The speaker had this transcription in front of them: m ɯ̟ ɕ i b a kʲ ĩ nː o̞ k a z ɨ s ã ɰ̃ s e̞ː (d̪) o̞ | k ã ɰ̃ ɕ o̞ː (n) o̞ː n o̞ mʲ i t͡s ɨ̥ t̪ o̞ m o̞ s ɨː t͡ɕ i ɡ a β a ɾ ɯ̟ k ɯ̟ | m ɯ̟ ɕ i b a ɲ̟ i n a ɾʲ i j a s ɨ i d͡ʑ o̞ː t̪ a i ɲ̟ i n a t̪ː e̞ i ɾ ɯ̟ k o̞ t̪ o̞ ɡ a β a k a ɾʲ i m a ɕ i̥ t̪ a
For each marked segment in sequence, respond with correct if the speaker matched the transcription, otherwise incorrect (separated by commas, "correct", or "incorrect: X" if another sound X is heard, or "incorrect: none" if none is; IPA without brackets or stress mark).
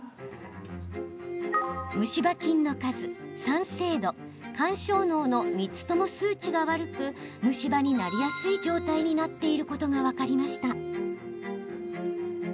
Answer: correct, correct